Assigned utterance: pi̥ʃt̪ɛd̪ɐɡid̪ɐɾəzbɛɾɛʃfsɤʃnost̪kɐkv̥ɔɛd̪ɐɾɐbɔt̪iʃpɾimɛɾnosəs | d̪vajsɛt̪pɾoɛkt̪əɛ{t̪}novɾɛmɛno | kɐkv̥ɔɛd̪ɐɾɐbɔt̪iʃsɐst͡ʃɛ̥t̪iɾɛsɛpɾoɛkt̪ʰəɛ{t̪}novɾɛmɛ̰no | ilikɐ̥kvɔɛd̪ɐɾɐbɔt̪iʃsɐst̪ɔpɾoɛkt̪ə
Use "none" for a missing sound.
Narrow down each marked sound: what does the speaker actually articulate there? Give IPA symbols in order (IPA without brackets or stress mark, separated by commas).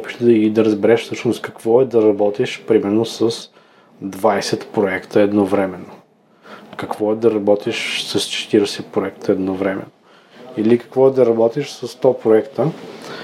d̪, d̪